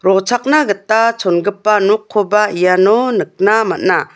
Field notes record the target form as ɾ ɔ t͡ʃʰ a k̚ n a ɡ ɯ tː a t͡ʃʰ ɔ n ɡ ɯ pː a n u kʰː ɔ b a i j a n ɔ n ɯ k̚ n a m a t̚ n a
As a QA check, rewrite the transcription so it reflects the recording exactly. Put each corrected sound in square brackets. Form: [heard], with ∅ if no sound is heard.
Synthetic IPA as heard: ɾ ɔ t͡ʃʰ a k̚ n a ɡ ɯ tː a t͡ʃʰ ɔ n ɡ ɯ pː a n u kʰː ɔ b a i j a n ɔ n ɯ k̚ n a m a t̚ n a